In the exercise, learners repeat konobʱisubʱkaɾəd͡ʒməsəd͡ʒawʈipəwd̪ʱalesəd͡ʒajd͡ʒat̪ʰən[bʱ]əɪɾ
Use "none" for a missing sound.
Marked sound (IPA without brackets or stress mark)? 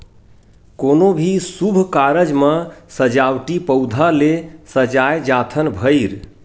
bʱ